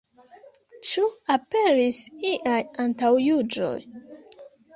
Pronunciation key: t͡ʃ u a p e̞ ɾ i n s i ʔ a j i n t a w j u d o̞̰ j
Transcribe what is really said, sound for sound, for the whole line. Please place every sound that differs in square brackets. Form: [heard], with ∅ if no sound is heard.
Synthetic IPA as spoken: t͡ʃ u a p e̞ ɾ i [∅] s i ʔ a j [a] n t a w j u [d͡ʒ] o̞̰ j